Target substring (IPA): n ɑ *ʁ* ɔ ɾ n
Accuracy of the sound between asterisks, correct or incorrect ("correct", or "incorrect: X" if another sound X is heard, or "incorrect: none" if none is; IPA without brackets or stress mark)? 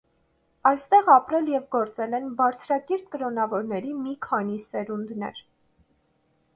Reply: incorrect: v